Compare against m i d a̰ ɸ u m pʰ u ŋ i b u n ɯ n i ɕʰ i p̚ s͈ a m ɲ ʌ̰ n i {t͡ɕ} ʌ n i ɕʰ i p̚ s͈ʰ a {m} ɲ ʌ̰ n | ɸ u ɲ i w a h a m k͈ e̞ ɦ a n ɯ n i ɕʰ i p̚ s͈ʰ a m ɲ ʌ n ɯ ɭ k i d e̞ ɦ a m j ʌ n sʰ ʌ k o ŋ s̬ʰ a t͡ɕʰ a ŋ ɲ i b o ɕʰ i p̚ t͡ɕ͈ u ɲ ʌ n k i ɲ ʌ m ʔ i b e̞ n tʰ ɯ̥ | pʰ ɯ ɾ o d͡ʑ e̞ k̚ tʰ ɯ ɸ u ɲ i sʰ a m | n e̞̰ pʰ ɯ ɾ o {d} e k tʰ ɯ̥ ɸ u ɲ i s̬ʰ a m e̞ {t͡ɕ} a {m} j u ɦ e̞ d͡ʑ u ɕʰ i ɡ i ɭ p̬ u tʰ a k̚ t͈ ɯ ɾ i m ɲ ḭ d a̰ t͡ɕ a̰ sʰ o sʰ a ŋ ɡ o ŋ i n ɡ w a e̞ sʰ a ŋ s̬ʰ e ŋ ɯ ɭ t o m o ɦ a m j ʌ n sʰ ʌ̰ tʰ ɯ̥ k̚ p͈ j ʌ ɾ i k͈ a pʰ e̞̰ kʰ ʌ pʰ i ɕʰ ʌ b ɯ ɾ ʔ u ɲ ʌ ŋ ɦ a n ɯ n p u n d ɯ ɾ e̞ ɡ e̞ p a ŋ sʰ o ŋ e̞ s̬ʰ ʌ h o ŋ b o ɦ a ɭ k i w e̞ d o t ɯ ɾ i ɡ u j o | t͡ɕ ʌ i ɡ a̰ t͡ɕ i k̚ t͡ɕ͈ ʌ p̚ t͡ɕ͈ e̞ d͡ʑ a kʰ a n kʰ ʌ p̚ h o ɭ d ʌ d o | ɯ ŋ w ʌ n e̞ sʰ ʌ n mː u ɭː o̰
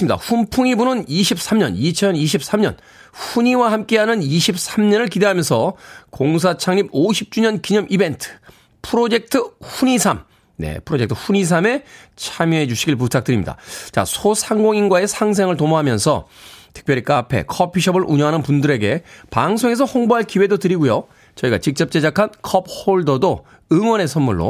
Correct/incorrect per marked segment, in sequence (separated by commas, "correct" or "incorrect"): incorrect, correct, incorrect, incorrect, correct